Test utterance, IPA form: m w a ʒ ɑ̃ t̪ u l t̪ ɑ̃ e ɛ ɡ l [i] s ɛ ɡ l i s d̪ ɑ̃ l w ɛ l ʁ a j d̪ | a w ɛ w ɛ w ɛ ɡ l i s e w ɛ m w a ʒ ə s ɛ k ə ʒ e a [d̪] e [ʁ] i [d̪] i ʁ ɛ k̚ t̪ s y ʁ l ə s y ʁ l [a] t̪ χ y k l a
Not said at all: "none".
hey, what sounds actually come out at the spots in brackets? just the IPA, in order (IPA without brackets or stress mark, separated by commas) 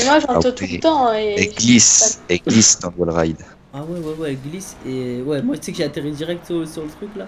i, t̪, ʁ, d̪, ə